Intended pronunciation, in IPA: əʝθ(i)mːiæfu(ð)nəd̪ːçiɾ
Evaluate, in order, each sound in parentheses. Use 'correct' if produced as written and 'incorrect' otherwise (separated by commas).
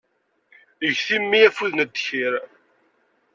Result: correct, correct